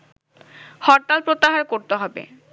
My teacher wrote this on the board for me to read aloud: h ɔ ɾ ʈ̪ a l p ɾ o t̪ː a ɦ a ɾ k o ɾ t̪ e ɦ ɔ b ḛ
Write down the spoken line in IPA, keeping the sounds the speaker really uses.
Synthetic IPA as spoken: h ɔ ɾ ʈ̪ a l p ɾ o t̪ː a ɦ a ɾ k o ɾ t̪ e ɦ ɔ b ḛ